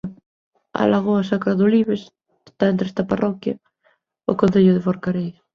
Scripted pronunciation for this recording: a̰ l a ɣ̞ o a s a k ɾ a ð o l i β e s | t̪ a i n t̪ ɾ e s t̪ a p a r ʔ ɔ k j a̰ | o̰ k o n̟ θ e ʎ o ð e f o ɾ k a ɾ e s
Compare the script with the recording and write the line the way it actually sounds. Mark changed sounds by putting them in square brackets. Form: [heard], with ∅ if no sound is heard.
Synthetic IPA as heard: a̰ l a ɣ̞ o a s a k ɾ a ð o l i β e s | t̪ a [e] n t̪ ɾ e s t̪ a p a r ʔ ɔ k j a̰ | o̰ k o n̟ θ e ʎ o ð e f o ɾ k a ɾ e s